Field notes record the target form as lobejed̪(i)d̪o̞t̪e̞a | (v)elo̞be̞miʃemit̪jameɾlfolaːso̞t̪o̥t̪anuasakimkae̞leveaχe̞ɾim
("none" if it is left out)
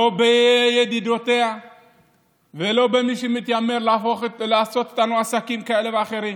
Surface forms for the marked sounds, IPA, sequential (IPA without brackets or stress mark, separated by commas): i, v